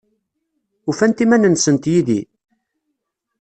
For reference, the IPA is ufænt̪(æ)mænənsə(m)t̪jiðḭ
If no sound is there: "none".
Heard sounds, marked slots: i, n

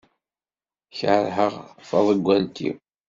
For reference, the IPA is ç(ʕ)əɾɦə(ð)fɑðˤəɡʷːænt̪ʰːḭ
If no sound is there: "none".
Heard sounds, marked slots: ʕ, ʁ

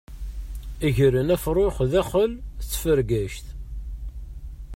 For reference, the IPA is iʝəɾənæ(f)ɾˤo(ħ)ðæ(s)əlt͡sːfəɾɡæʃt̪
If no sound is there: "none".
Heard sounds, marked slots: f, χ, χ

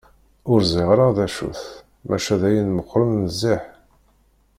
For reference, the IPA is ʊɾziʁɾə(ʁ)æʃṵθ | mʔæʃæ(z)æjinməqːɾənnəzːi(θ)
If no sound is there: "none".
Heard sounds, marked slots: ð, ð, ħ

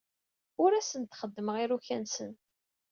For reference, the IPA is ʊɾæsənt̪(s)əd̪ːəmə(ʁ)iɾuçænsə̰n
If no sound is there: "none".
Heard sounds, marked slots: χ, ʁ

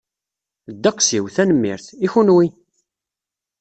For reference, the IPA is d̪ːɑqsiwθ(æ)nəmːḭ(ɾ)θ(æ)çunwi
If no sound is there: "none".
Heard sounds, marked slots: æ, ɾ, i

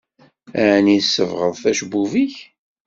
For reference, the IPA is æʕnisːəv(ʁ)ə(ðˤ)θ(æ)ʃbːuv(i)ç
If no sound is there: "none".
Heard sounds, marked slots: ʁ, ðˤ, æ, i

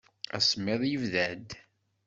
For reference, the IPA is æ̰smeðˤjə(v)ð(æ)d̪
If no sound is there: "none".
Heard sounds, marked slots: v, æ

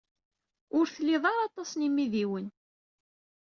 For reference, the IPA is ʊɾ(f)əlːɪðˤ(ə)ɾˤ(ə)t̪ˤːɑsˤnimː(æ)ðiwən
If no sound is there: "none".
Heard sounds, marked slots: θ, ɑ, ɑ, i

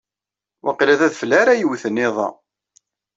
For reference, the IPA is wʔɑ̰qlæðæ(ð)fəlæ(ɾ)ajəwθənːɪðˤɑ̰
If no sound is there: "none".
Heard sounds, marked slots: ð, ɾ

